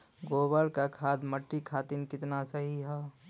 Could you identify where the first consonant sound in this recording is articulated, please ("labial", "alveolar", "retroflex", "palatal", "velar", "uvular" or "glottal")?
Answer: velar